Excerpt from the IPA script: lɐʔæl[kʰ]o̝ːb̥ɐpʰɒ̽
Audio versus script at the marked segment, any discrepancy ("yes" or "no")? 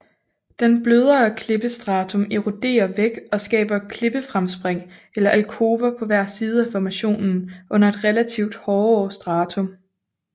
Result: no